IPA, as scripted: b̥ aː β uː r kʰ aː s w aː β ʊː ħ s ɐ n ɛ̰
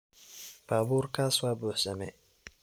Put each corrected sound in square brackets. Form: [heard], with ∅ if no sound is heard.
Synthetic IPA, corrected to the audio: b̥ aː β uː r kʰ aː s w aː [b] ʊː ħ s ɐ [m] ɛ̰